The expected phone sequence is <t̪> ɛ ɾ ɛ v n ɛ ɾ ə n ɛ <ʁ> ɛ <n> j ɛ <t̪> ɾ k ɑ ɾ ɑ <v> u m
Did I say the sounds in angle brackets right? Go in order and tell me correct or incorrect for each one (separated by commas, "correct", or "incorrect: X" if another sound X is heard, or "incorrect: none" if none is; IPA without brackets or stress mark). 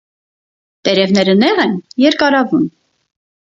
correct, correct, correct, incorrect: none, correct